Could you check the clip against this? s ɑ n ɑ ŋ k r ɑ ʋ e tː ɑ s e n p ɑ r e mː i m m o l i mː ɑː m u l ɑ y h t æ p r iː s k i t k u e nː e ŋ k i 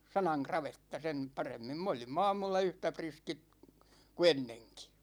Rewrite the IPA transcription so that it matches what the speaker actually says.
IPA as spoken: s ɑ n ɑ ŋ k r ɑ ʋ e tː ɑ s e n p ɑ r e mː i m m o l i mː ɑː m u lː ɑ y h t æ p r i s k i t k u e nː e ŋ k i